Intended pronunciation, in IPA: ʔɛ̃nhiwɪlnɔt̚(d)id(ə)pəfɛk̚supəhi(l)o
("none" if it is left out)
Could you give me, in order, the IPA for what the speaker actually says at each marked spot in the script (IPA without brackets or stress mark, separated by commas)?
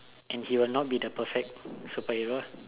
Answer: b, ə, ɹ